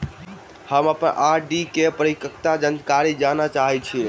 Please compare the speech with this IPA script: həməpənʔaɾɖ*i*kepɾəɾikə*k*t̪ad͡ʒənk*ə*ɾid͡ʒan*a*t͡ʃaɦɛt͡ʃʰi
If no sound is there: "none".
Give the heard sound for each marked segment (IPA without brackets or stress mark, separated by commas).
i, k, a, a